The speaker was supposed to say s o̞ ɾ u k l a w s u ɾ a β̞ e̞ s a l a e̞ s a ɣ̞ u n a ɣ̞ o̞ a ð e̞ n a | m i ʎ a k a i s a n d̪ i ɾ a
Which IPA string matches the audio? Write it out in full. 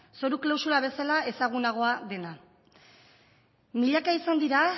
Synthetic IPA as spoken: s o̞ ɾ u k l a w s u ɾ a β̞ e̞ s a l a e̞ s a ɣ̞ u n a ɣ̞ o̞ a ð e̞ n a | m i ʎ a k a i s a n d̪ i ɾ a